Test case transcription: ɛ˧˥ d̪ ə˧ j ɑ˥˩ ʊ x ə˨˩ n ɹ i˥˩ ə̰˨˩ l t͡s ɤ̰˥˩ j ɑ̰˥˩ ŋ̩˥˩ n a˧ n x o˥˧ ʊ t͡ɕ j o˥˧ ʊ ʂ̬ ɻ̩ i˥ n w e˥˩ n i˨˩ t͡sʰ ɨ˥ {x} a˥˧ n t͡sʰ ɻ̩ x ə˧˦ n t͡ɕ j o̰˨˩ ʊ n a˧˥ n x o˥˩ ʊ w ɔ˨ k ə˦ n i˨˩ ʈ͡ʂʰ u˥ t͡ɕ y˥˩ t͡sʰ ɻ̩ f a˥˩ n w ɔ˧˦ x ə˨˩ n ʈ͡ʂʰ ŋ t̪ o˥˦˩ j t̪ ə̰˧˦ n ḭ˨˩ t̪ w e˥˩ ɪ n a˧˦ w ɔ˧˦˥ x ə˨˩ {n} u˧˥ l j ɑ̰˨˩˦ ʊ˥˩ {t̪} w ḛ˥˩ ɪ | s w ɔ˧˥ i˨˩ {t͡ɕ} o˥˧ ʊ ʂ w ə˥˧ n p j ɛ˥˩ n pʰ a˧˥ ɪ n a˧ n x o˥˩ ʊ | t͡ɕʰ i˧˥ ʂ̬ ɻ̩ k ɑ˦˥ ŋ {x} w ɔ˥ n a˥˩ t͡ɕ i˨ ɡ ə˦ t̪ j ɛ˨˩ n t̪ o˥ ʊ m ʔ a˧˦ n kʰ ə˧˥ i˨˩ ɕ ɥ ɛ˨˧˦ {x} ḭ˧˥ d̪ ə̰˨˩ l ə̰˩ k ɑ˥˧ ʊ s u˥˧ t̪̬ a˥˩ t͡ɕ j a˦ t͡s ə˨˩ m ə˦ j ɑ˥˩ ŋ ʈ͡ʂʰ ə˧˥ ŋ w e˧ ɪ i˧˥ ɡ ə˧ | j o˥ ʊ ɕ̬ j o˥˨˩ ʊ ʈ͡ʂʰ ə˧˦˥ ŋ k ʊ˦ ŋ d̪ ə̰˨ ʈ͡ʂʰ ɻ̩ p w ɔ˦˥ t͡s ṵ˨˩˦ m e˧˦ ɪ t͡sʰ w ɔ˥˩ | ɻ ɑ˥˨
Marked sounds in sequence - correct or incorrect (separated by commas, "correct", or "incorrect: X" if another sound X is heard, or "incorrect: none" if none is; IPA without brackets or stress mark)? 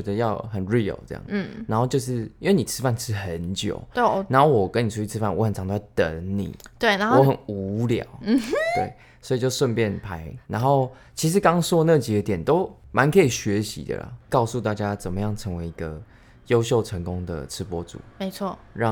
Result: incorrect: f, correct, correct, correct, incorrect: s, incorrect: ɕ